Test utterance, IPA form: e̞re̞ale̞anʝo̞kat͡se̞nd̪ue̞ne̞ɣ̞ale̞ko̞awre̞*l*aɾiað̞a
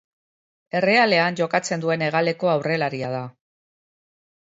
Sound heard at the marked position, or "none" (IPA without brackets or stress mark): l